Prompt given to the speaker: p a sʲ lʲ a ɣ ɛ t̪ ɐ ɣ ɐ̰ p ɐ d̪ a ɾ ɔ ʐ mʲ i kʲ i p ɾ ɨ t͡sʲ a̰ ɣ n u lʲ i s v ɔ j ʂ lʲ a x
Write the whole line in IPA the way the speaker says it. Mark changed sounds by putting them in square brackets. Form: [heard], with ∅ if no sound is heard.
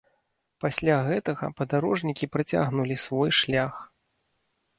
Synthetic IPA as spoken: p a sʲ lʲ a ɣ ɛ t̪ ɐ ɣ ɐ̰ p ɐ d̪ a ɾ ɔ ʐ [nʲ] i kʲ i p ɾ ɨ t͡sʲ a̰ ɣ n u lʲ i s v ɔ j ʂ lʲ a x

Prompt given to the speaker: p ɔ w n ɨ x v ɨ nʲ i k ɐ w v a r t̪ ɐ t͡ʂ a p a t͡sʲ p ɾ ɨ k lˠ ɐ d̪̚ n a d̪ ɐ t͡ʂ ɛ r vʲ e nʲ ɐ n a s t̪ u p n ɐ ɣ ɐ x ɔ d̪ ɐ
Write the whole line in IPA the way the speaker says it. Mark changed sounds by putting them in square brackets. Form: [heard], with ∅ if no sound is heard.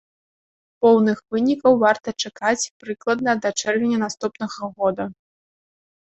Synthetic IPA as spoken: p ɔ w n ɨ x v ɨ nʲ i k ɐ w v a r t̪ ɐ t͡ʂ a [k] a t͡sʲ p ɾ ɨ k lˠ ɐ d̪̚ n [ɐ] d̪ ɐ t͡ʂ ɛ r vʲ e nʲ ɐ n a s t̪ u p n ɐ ɣ ɐ [ɣ] ɔ d̪ ɐ

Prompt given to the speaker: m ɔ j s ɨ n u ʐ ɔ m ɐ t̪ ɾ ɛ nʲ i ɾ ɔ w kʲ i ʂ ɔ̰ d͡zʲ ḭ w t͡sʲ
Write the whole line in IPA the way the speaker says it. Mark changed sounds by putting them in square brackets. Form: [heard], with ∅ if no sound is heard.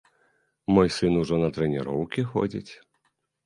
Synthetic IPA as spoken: m ɔ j s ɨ n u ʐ ɔ [n] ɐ t̪ ɾ ɛ nʲ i ɾ ɔ w kʲ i [x] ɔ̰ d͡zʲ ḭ [∅] t͡sʲ

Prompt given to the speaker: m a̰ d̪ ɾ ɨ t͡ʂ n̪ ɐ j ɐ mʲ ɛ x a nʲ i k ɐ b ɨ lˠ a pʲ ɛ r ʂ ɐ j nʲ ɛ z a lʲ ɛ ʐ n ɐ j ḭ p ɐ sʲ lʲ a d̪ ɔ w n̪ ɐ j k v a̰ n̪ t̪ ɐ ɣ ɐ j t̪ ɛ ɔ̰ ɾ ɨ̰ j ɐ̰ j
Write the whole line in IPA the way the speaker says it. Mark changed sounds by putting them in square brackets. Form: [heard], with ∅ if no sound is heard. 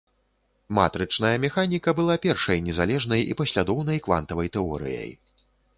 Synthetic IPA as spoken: m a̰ [t̪] ɾ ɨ t͡ʂ n̪ ɐ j ɐ mʲ ɛ x a nʲ i k ɐ b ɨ lˠ a pʲ ɛ r ʂ ɐ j nʲ ɛ z a lʲ ɛ ʐ n ɐ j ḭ p ɐ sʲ lʲ a d̪ ɔ w n̪ ɐ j k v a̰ n̪ t̪ ɐ [v] ɐ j t̪ ɛ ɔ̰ ɾ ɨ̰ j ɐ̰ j

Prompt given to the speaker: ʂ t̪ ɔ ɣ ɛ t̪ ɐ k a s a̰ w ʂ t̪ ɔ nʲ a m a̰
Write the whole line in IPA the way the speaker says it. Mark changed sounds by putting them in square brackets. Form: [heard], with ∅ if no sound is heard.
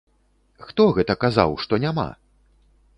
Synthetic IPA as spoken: [x] t̪ ɔ ɣ ɛ t̪ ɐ k a [z] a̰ w ʂ t̪ ɔ nʲ a m a̰

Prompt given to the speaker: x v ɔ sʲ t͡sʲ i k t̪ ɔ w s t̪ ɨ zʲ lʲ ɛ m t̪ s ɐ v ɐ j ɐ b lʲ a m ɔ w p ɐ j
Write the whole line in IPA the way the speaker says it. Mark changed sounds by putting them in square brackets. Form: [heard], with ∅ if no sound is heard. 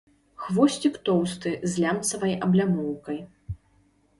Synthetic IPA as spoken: x v ɔ sʲ t͡sʲ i k t̪ ɔ w s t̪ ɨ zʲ lʲ [a] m t̪ s ɐ v ɐ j ɐ b lʲ a m ɔ w [k] ɐ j

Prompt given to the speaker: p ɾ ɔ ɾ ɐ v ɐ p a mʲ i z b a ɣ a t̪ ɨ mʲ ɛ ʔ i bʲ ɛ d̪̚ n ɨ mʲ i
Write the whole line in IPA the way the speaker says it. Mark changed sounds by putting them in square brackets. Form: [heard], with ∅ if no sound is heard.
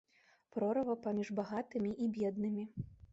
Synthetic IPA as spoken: p ɾ ɔ ɾ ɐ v ɐ p a mʲ i [ʐ] b a ɣ a t̪ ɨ mʲ [i] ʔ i bʲ ɛ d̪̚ n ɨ mʲ i

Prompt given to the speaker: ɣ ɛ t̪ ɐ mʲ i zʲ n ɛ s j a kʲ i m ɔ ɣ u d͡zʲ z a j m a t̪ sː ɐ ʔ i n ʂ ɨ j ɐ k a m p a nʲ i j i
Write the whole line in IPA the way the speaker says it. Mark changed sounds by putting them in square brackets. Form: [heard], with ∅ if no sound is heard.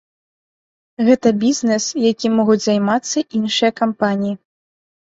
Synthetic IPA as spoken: ɣ ɛ t̪ ɐ [bʲ] i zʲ n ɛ s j a kʲ i m ɔ ɣ u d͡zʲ z a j m a t̪ sː ɐ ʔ i n ʂ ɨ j ɐ k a m p a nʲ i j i

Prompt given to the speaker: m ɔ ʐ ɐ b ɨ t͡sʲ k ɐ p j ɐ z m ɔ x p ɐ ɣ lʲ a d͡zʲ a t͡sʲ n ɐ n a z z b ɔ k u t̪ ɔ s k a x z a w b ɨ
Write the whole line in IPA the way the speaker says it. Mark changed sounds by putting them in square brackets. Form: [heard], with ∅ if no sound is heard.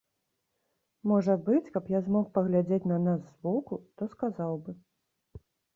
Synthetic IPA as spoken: m ɔ ʐ ɐ b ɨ t͡sʲ k ɐ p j [a] z m ɔ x p ɐ ɣ lʲ a d͡zʲ [e] t͡sʲ n ɐ n a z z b ɔ k u t̪ ɔ s k a [∅] z a w b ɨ

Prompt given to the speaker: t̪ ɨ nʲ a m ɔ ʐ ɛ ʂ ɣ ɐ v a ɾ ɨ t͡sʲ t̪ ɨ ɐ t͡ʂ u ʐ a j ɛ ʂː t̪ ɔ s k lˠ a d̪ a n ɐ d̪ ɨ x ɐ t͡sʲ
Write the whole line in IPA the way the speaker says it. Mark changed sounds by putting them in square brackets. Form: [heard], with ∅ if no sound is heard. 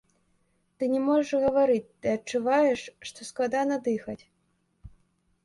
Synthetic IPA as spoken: t̪ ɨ nʲ [ɛ] m ɔ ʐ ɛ ʂ ɣ ɐ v a ɾ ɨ t͡sʲ t̪ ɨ ɐ t͡ʂ u [v] a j ɛ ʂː t̪ ɔ s k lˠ a d̪ a n ɐ d̪ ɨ x ɐ t͡sʲ

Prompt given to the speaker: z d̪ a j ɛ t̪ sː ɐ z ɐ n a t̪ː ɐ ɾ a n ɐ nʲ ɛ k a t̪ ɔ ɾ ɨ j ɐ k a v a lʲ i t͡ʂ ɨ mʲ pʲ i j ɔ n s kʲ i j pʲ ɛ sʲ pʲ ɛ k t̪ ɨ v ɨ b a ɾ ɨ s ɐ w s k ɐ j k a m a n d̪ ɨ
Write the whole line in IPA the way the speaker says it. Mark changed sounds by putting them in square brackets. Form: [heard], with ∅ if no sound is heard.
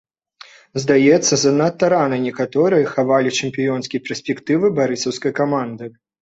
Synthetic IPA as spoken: z d̪ a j ɛ t̪ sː ɐ z ɐ n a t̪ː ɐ ɾ a n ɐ nʲ ɛ k a t̪ ɔ ɾ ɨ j ɐ [x] a v a lʲ i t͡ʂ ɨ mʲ pʲ i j ɔ n s kʲ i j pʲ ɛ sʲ pʲ ɛ k t̪ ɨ v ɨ b a ɾ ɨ s ɐ w s k ɐ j k a m a n d̪ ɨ

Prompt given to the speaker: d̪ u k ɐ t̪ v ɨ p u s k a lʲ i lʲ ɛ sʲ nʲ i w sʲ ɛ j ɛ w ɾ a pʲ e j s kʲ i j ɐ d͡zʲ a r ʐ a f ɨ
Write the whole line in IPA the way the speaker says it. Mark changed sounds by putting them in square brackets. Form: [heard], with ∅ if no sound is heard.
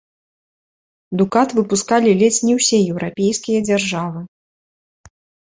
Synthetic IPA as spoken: d̪ u k [a] t̪ v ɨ p u s k a lʲ i lʲ ɛ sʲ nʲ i w sʲ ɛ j ɛ w ɾ a pʲ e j s kʲ i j ɐ d͡zʲ a r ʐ a [v] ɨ

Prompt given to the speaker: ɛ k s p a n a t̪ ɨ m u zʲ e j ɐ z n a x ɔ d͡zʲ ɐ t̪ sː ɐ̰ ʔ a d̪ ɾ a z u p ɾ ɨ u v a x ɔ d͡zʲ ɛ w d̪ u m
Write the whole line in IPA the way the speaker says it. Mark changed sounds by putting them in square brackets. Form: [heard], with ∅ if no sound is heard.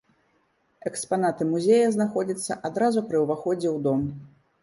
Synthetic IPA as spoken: ɛ k s p a n a t̪ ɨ m u zʲ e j ɐ z n a x ɔ d͡zʲ ɐ t̪ sː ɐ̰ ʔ a d̪ ɾ a z u p ɾ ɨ [w] v a x ɔ d͡zʲ ɛ w d̪ [ɔ] m

